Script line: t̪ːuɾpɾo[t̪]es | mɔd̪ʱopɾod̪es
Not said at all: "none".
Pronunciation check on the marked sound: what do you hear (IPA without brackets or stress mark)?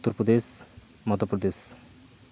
d̪